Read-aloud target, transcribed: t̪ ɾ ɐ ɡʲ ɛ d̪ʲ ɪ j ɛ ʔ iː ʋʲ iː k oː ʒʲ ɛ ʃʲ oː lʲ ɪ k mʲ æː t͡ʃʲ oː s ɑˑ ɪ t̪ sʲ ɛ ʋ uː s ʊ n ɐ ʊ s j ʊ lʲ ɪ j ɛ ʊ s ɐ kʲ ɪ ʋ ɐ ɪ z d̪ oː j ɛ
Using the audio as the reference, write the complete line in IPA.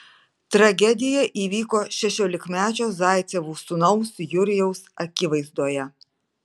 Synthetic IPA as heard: t̪ ɾ ɐ ɡʲ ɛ d̪ʲ ɪ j ɛ ʔ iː ʋʲ iː k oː ʃʲ ɛ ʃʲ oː lʲ ɪ k mʲ æː t͡ʃʲ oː z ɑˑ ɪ t̪ sʲ ɛ ʋ uː s ʊ n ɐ ʊ s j ʊ ɾʲ ɪ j ɛ ʊ s ɐ kʲ ɪ ʋ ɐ ɪ z d̪ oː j ɛ